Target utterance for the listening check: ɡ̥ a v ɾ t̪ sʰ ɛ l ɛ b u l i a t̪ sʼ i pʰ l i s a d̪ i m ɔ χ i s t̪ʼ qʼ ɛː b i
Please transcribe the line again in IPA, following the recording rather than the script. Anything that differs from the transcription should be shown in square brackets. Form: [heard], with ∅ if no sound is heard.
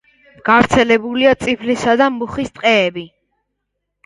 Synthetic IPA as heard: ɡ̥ a v ɾ t̪ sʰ ɛ l ɛ b u l i a t̪ sʼ i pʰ l i s a d̪ [a] m [u] χ i s t̪ʼ qʼ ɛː b i